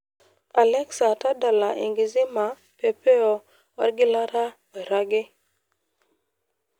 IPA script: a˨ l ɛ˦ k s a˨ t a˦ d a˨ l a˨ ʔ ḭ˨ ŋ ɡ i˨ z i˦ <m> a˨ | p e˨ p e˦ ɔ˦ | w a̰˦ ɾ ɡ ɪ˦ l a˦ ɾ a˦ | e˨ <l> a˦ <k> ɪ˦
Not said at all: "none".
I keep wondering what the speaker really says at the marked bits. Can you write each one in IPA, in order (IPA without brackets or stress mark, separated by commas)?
m, ɾ, ɡ